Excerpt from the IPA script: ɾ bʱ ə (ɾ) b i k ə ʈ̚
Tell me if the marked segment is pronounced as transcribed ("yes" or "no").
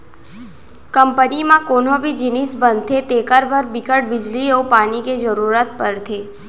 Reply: yes